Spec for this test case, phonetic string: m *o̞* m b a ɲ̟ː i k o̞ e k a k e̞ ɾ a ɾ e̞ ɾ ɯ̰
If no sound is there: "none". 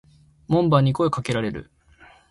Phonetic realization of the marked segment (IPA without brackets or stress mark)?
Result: õ̞